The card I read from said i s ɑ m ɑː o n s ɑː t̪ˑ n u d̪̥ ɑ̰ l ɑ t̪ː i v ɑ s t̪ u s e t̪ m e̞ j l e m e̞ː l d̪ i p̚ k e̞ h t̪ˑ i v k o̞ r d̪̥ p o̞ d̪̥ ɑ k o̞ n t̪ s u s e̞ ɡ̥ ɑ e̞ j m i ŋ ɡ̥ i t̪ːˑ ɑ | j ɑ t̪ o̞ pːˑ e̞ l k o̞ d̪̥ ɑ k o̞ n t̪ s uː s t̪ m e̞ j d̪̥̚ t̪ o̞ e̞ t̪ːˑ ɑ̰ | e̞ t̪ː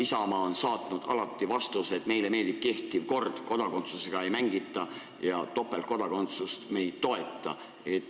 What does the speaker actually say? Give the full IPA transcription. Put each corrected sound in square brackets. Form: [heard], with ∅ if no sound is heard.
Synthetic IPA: i s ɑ m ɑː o n s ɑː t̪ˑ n u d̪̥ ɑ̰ l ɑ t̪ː i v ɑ s t̪ u s e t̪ m e̞ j l e m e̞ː l d̪ i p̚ k e̞ h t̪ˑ i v k o̞ r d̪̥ [k] o̞ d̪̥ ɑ k o̞ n t̪ s u s e̞ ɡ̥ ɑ e̞ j m [æ] ŋ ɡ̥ i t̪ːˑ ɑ | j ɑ t̪ o̞ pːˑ e̞ l k o̞ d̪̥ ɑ k o̞ n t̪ s [u] s t̪ m e̞ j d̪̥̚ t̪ o̞ e̞ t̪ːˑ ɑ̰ | e̞ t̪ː